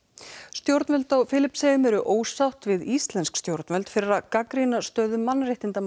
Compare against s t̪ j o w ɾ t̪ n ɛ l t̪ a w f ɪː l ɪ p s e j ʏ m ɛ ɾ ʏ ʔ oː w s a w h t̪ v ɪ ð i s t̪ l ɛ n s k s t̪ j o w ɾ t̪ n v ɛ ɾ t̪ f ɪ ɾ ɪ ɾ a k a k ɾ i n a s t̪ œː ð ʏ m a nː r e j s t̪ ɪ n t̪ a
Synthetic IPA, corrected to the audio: s t̪ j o w ɾ t̪ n ɛ l t̪ a w f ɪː l ɪ p s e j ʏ m ɛ ɾ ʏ ʔ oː w s a w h t̪ v ɪ ð i s t̪ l ɛ n s k s t̪ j o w ɾ t̪ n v ɛ l t̪ f ɪ ɾ ɪ ɾ a k a k ɾ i n a s t̪ œː ð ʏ m a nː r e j h t̪ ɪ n t̪ a